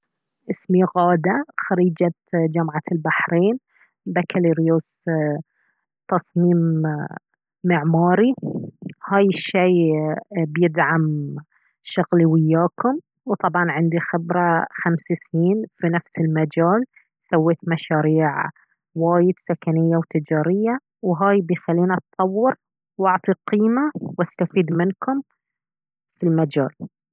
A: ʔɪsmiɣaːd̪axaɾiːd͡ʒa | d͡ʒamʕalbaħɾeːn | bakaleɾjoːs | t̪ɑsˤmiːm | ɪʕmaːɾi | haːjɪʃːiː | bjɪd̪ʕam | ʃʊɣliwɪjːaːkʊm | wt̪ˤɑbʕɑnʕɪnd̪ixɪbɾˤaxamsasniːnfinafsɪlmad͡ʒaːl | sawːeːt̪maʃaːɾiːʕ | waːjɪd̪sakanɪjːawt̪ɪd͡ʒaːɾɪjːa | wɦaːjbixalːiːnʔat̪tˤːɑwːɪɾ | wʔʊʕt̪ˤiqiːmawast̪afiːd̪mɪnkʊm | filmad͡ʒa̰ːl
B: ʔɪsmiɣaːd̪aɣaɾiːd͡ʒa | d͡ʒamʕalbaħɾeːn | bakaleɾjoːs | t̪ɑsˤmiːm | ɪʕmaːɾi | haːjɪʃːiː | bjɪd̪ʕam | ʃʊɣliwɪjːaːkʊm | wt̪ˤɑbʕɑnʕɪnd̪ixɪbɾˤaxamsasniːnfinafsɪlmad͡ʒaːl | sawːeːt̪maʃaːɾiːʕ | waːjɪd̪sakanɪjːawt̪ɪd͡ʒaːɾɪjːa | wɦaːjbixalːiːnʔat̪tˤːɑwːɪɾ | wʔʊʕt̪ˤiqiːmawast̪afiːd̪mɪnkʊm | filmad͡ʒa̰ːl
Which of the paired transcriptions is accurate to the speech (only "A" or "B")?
A